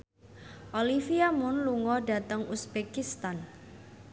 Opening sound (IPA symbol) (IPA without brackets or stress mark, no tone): ʔ